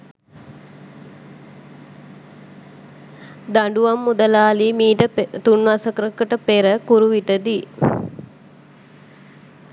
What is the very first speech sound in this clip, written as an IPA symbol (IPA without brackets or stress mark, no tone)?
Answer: d̪